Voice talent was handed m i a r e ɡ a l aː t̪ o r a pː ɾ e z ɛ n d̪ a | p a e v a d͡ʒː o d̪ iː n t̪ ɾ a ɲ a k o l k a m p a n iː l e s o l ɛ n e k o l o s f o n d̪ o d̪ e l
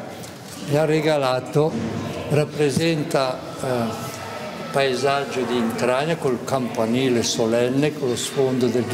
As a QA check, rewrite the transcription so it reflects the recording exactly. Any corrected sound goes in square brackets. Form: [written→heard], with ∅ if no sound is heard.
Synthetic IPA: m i a r e ɡ a l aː t̪ o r a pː ɾ e z ɛ n [d̪→t̪] a | p a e [v→z] a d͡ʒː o d̪ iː n t̪ ɾ a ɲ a k o l k a m p a n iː l e s o l ɛ [n→nː] e k o l o s f o n d̪ o d̪ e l